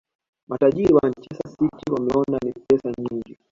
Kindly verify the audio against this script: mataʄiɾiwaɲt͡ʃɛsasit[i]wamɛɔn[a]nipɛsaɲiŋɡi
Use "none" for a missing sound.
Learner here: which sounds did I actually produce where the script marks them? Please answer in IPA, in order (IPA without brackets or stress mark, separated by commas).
i, a